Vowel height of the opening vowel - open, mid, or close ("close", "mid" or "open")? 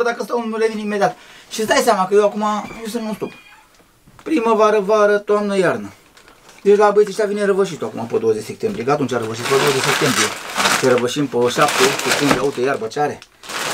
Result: open